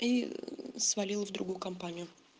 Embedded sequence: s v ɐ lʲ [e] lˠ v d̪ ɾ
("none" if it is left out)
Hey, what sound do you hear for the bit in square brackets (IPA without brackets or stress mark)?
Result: i